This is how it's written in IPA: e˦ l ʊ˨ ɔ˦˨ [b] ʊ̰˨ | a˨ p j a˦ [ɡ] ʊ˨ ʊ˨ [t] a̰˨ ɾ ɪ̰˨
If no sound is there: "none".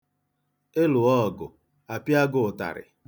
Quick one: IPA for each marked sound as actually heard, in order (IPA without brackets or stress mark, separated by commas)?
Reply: ɡ, ɡ, t